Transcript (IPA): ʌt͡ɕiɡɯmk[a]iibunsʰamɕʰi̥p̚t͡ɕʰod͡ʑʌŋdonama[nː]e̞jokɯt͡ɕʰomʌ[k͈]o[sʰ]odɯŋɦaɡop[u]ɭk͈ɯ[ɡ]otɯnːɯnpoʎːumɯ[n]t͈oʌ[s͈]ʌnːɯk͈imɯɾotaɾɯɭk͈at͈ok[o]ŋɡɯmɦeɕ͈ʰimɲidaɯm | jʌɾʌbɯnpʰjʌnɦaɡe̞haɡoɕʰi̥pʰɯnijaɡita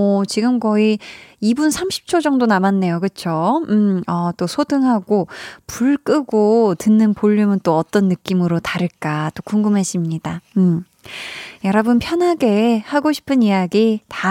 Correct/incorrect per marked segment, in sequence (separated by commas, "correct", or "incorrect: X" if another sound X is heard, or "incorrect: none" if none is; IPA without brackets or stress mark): incorrect: ʌ, correct, incorrect: t͈, correct, correct, correct, correct, incorrect: t͈, incorrect: u